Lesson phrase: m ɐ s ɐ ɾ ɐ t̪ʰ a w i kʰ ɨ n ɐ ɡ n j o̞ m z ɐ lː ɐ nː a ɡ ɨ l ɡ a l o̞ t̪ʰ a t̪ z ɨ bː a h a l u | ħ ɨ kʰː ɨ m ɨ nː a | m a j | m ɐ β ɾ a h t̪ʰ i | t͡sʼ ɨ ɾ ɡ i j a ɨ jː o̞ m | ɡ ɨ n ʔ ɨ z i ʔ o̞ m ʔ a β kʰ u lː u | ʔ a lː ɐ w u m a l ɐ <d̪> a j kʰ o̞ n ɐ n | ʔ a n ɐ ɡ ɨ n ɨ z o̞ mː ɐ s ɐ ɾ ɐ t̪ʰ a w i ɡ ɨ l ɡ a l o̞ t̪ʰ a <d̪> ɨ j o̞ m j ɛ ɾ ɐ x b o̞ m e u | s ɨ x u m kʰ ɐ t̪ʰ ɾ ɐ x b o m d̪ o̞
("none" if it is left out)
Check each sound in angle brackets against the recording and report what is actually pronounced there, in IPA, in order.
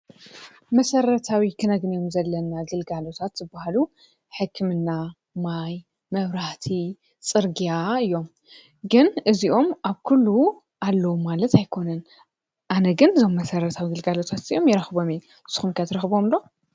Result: t̪, t̪

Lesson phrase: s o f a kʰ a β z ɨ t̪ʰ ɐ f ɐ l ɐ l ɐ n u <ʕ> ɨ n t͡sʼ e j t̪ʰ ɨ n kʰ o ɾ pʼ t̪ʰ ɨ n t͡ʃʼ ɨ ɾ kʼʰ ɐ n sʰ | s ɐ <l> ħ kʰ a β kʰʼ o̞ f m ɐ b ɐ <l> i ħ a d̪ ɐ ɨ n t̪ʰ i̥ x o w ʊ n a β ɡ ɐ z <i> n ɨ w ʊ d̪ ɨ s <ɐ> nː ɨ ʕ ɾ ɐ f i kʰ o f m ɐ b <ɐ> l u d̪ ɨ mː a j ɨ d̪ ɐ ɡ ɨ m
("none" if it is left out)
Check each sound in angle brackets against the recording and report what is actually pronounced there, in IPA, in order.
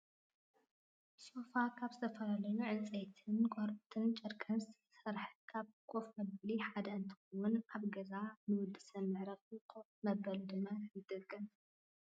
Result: ʕ, ɾ, l, a, ɐ, ɐ

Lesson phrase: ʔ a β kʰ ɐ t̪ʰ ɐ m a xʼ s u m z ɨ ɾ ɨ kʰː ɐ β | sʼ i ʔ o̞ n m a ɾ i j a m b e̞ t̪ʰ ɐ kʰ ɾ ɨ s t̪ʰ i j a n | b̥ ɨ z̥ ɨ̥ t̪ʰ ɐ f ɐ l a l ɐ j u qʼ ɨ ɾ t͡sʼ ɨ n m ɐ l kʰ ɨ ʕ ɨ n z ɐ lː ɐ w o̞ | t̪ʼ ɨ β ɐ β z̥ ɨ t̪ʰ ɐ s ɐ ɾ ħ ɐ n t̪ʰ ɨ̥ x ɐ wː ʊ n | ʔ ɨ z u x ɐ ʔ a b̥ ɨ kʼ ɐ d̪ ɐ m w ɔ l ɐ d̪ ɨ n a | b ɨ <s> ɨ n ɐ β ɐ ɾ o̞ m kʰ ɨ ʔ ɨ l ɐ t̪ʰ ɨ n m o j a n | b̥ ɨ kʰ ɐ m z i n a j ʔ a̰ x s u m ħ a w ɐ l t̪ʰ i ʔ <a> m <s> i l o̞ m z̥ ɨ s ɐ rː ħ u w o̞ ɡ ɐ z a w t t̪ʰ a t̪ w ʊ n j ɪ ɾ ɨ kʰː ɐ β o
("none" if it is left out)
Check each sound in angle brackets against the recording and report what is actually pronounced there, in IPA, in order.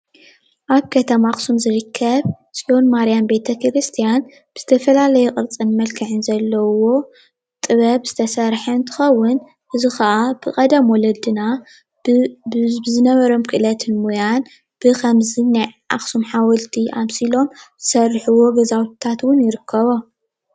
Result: z, a, s

